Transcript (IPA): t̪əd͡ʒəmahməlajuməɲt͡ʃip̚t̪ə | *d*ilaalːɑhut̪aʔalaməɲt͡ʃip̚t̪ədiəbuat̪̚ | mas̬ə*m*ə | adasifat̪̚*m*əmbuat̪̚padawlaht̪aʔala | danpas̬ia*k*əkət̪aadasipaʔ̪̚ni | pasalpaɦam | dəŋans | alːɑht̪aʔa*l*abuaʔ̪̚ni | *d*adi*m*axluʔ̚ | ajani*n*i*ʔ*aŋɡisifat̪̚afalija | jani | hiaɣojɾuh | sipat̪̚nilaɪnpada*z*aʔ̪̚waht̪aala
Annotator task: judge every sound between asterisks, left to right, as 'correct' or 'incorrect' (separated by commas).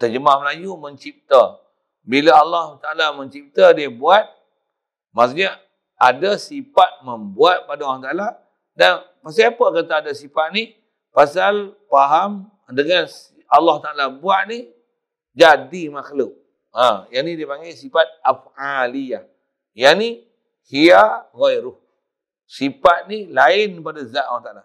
incorrect, incorrect, correct, incorrect, correct, incorrect, correct, incorrect, incorrect, correct